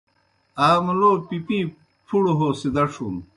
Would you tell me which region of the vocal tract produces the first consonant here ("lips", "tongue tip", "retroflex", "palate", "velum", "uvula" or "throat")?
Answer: lips